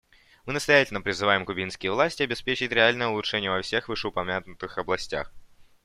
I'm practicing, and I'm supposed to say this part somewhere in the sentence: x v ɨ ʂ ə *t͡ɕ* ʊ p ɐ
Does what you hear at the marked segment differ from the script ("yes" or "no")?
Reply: yes